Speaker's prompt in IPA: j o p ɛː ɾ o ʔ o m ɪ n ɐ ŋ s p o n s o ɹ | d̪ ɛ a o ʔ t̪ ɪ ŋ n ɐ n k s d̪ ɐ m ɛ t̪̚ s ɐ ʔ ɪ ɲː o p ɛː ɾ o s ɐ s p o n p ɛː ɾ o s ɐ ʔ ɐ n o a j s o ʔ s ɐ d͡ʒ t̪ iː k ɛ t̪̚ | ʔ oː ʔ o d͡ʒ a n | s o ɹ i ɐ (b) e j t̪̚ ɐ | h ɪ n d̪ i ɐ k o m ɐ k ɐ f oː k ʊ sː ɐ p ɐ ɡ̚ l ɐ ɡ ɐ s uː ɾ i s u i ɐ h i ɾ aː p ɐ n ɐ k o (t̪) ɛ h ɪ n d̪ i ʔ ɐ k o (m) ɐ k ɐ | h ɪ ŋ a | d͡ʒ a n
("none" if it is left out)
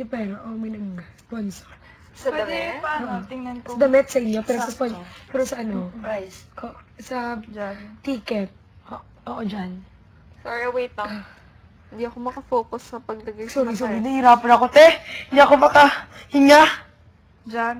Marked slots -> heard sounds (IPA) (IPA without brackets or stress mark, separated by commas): w, t̪, m